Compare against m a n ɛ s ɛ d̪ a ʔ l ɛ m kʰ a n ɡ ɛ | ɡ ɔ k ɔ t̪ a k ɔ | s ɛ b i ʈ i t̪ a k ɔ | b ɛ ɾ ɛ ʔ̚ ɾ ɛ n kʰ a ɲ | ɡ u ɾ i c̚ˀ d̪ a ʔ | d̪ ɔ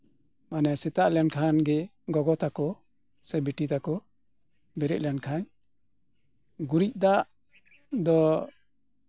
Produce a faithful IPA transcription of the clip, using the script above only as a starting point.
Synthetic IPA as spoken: m a n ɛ s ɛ t̪ a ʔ l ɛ n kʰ a n ɡ ɛ | ɡ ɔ ɡ ɔ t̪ a k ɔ | s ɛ b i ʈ i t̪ a k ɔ | b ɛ ɾ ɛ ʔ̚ l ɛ n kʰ a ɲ | ɡ u ɾ i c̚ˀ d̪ a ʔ | d̪ ɔ